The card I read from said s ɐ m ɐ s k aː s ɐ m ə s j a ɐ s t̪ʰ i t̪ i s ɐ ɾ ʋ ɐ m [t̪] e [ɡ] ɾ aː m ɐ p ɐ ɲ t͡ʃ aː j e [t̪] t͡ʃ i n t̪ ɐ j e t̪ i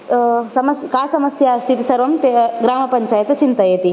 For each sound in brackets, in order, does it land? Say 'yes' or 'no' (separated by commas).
yes, yes, yes